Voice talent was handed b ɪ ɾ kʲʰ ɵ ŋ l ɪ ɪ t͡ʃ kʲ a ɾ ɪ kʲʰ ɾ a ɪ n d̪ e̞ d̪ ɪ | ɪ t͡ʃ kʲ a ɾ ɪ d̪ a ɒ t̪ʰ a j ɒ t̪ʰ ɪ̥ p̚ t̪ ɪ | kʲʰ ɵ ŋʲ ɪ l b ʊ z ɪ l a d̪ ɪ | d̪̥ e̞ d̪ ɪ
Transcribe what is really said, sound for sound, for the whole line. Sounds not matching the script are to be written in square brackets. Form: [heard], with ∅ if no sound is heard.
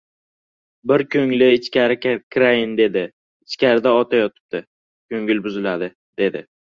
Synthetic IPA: b ɪ ɾ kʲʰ ɵ ŋ l ɪ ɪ t͡ʃ kʲ a ɾ ɪ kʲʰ ɾ a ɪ n d̪ e̞ d̪ ɪ | ɪ t͡ʃ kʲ a ɾ ɪ d̪ a ɒ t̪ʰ a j ɒ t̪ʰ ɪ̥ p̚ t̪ ɪ | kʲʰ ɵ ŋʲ ɪ l b ʊ z ɪ l a d̪ ɪ | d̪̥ e̞ d̪ ɪ